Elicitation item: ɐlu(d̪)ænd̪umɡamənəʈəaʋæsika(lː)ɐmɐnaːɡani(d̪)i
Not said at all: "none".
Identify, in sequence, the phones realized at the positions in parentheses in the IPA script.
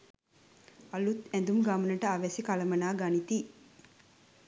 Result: t̪, l, t̪

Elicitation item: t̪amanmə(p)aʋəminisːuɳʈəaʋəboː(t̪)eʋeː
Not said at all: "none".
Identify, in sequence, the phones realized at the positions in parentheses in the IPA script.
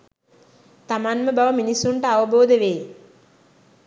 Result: b, d̪

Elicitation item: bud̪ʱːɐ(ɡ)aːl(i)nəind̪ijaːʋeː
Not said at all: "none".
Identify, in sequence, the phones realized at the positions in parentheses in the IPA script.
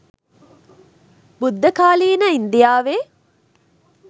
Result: k, iː

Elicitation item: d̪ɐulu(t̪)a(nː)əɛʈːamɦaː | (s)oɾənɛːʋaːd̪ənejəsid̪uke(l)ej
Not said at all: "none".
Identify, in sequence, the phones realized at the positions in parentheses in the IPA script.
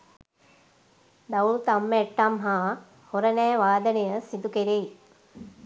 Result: t̪, mː, h, ɾ

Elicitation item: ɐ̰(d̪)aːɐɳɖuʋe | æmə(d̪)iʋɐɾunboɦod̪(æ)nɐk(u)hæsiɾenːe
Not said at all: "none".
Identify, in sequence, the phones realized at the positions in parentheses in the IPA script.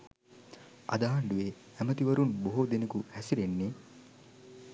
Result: d̪, t̪, e, u

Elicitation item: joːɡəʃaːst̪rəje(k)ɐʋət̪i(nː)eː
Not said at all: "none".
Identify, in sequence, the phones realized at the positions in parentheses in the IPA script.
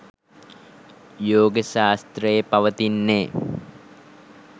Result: p, nː

